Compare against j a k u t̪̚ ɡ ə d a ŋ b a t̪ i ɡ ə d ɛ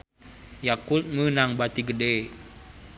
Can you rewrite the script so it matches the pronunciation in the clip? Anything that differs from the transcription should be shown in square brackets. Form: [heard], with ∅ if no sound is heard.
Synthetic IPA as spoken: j a k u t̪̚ [ŋ] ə [n] a ŋ b a t̪ i ɡ ə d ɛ